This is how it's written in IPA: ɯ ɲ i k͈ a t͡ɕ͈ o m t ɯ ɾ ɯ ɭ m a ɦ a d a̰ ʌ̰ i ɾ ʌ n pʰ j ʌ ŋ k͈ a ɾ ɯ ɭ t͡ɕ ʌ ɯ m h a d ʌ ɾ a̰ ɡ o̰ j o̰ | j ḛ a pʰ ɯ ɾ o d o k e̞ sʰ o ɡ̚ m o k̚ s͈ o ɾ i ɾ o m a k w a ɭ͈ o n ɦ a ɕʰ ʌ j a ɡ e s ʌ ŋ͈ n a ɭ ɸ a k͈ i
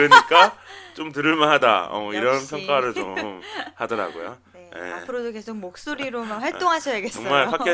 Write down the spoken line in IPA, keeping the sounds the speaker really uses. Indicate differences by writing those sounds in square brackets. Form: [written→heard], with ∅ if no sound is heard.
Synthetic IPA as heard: ɯ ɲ i k͈ a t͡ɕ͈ o m t ɯ ɾ ɯ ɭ m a ɦ a d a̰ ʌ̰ i ɾ ʌ n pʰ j ʌ ŋ k͈ a ɾ ɯ ɭ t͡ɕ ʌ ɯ m h a d ʌ ɾ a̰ ɡ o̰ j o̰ | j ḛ a pʰ ɯ ɾ o d o k e̞ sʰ o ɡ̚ m o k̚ s͈ o ɾ i ɾ o m a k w a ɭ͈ o [n→ŋ] ɦ a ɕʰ ʌ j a ɡ e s ʌ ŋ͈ [n→m] a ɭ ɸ a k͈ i